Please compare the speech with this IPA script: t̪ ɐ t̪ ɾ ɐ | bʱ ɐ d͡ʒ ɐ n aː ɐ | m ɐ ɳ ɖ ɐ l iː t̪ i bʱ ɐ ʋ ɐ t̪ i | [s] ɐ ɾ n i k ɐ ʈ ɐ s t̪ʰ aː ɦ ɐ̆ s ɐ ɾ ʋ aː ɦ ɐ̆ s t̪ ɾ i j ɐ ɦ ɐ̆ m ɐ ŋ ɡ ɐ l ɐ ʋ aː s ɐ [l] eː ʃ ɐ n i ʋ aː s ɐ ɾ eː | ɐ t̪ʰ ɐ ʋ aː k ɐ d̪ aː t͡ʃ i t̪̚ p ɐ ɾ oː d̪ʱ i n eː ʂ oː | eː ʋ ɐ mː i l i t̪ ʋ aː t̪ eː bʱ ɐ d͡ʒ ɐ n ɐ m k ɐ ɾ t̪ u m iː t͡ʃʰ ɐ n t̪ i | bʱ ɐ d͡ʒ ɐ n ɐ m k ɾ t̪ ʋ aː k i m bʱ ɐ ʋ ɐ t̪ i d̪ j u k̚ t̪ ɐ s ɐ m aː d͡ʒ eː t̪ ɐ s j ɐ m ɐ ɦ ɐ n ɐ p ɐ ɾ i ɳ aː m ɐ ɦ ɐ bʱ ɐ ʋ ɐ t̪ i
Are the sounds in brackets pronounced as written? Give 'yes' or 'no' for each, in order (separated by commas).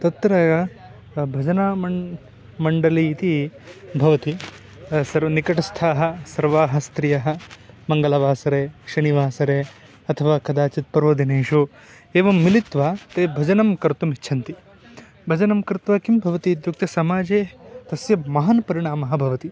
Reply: yes, no